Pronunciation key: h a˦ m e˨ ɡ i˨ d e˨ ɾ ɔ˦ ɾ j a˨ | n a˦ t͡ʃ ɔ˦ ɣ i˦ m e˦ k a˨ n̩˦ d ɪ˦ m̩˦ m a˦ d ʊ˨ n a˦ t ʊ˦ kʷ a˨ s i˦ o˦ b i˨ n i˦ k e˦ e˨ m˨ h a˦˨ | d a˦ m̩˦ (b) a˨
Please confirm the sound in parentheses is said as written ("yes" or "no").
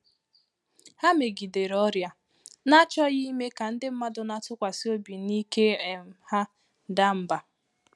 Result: yes